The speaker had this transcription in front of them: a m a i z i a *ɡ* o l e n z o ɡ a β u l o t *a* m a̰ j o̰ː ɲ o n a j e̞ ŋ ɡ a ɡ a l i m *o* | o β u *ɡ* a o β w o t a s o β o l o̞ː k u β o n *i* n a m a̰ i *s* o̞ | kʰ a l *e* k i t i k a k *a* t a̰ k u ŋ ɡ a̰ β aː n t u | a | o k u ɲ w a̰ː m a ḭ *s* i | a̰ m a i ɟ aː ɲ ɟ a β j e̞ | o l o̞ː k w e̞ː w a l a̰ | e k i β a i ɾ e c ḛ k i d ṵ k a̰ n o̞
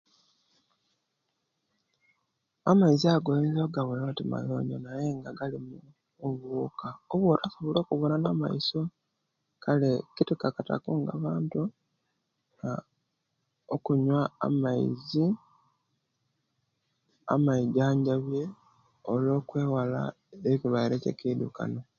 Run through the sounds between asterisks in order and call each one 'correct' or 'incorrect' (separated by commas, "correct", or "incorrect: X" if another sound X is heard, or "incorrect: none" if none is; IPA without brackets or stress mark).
correct, incorrect: i, incorrect: u, incorrect: k, incorrect: a, correct, correct, correct, incorrect: z